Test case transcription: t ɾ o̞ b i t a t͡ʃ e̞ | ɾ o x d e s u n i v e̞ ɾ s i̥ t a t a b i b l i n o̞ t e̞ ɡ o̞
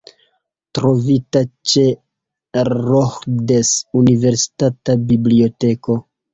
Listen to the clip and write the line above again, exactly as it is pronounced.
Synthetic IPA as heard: t ɾ o̞ v i t a t͡ʃ e̞ | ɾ o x d e s u n i v e̞ ɾ s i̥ t a t a b i b l i o̞ t e̞ k o̞